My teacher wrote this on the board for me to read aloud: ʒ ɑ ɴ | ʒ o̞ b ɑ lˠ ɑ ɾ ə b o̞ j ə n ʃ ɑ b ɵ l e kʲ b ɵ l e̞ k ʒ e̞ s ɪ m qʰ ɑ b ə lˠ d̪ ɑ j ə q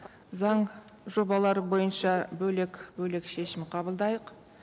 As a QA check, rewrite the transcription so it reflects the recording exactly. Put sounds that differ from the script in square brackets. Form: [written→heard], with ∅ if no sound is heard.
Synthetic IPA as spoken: [ʒ→z] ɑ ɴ | ʒ o̞ b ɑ lˠ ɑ ɾ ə b o̞ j ə n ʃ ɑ b ɵ l e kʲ b ɵ l e̞ k [ʒ→ʃ] e̞ [s→ʃ] ɪ m qʰ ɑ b ə lˠ d̪ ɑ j ə q

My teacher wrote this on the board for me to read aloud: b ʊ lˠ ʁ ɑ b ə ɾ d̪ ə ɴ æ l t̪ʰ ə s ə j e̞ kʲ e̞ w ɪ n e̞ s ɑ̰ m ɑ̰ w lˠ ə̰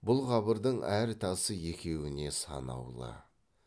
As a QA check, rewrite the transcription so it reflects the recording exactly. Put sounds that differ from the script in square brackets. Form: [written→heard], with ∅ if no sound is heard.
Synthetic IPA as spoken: b ʊ lˠ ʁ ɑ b ə ɾ d̪ ə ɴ æ [l→ɾ] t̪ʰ [ə→ɑ] s ə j e̞ kʲ e̞ w ɪ n e̞ s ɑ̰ [m→n] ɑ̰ w lˠ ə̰

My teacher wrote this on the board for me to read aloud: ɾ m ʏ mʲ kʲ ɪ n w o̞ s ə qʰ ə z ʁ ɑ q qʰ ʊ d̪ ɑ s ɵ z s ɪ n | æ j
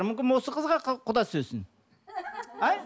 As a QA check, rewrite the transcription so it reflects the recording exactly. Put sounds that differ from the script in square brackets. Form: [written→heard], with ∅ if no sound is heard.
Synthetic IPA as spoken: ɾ m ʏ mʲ kʲ ɪ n w o̞ s ə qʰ ə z ʁ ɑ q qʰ ʊ d̪ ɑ s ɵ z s ɪ n | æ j

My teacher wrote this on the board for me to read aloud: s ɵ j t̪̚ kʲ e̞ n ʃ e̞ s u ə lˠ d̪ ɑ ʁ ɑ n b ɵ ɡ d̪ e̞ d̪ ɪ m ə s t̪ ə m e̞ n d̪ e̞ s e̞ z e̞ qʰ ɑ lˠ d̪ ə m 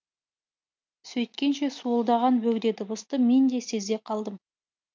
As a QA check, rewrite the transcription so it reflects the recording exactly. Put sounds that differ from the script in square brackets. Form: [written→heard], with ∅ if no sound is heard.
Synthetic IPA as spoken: s ɵ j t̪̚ kʲ e̞ n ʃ e̞ s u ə lˠ d̪ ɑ ʁ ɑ n b ɵ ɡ d̪ e̞ d̪ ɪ [m→b] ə s t̪ ə m e̞ n d̪ e̞ s e̞ z e̞ qʰ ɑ lˠ d̪ ə m

